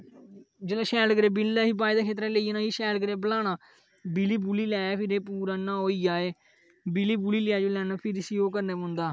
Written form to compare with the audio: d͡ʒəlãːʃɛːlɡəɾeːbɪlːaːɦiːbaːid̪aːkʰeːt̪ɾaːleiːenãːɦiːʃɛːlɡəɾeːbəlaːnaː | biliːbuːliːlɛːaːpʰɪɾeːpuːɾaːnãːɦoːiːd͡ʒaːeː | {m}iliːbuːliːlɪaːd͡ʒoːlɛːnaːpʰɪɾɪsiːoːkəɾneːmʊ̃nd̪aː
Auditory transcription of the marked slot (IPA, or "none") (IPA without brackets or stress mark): b